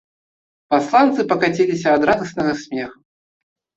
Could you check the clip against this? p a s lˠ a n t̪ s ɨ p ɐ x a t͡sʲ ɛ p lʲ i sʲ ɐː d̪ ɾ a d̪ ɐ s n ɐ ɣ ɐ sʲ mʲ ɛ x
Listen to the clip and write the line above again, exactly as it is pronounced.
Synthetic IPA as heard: p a s lˠ a n t̪ s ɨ p ɐ k a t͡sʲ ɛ lʲ i sʲ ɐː d̪ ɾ a d̪ ɐ s n ɐ ɣ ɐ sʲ mʲ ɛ x